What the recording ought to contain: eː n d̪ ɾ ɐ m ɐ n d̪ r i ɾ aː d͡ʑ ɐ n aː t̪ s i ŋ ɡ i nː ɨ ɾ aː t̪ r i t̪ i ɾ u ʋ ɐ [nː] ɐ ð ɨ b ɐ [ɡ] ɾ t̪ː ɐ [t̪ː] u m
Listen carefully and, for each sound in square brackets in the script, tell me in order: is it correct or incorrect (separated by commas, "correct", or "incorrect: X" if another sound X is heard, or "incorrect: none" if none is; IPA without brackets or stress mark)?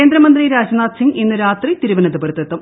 incorrect: n, incorrect: none, correct